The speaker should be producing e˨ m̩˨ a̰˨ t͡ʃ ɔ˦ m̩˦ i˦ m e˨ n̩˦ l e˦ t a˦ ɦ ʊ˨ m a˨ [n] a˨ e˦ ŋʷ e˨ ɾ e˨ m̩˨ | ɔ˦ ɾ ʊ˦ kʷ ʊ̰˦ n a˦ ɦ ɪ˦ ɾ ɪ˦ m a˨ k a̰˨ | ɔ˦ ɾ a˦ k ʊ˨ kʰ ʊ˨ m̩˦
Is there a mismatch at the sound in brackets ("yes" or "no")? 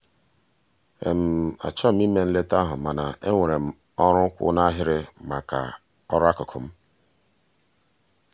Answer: no